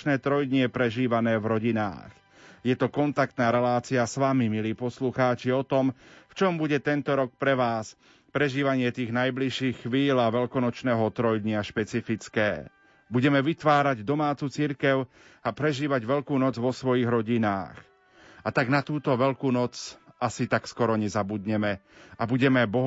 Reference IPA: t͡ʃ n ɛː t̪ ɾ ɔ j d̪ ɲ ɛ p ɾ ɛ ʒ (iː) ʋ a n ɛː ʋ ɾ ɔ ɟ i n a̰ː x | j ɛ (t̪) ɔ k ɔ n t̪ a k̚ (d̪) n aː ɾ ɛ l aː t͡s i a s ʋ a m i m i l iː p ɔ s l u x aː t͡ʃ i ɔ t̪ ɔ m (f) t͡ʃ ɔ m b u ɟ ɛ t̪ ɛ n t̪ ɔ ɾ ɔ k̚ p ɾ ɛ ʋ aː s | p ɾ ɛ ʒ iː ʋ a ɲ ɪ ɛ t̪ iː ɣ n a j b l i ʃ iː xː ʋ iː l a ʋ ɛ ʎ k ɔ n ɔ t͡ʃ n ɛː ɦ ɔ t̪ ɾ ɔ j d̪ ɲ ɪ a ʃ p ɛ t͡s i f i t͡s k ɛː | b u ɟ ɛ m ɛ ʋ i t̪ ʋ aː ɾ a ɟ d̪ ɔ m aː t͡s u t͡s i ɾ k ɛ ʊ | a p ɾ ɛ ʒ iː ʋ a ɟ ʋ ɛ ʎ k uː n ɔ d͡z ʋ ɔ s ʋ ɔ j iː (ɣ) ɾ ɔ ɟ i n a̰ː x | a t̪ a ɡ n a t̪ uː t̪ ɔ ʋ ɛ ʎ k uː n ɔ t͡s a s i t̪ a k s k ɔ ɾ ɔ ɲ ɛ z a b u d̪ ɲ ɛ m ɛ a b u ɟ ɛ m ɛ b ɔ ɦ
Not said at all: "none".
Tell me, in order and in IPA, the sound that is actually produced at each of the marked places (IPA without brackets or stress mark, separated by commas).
iː, t̪, t̪, f, ɣ